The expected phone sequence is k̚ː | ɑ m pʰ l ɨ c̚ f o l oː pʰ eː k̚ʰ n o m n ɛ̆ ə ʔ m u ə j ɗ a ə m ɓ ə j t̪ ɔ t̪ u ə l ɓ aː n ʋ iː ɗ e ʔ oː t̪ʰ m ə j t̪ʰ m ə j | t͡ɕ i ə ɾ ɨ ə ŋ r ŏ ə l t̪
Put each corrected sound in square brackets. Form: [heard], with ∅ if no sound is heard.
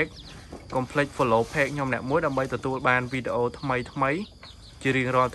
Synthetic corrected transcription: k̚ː | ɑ m pʰ l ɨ c̚ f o l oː pʰ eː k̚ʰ [ɲ] o m n ɛ̆ ə ʔ m u ə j ɗ a ə m ɓ ə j t̪ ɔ t̪ u ə l ɓ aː n ʋ iː ɗ e ʔ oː t̪ʰ m ə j t̪ʰ m ə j | t͡ɕ i ə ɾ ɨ ə ŋ r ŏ ə l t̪